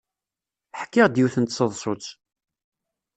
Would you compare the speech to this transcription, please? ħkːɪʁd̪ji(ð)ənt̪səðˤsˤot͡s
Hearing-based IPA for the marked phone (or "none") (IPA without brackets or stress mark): θ